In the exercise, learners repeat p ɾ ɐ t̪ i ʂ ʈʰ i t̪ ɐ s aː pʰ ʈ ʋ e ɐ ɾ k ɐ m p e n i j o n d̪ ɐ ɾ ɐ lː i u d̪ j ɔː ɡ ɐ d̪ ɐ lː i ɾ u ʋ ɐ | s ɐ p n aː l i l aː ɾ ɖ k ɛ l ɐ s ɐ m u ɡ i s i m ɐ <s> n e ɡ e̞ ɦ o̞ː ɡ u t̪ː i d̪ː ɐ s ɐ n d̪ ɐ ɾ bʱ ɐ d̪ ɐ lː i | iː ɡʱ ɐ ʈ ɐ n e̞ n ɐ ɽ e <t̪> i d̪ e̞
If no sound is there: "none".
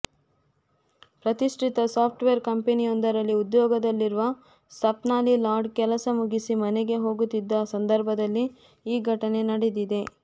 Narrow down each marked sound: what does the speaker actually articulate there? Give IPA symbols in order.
none, d̪

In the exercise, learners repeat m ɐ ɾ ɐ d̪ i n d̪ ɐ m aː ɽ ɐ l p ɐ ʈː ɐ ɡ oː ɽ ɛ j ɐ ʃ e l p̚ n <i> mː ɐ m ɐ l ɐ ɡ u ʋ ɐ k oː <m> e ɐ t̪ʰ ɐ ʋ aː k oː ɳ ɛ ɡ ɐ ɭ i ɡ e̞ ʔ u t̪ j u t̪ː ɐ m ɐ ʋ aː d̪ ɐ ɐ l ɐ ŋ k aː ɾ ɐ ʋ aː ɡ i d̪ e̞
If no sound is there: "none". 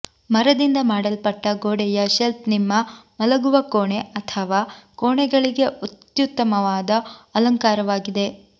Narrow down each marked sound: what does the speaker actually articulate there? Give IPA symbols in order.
i, ɳ

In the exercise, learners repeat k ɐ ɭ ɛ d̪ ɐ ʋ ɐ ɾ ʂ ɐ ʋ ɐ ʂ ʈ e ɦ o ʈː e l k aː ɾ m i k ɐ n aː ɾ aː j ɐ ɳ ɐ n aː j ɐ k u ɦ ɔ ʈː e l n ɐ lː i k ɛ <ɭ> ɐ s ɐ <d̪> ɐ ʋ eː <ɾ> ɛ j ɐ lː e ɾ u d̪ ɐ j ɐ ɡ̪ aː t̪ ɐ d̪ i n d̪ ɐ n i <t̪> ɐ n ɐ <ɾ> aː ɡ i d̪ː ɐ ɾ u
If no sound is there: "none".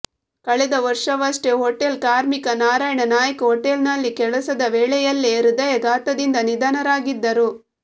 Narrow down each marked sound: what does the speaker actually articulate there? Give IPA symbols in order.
ɭ, d̪, ɭ, d̪, ɾ

